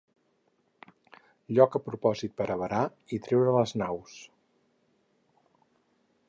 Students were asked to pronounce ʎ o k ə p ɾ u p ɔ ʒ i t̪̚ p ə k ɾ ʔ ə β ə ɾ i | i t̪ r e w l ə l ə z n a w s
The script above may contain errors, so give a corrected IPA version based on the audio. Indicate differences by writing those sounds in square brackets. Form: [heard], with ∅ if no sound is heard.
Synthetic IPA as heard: ʎ [ɔ] k ə p ɾ u p ɔ [z] i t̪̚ p ə [∅] ɾ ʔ ə β ə ɾ [a] | i t̪ [ɾ] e w [ɾ] ə l ə z n a w s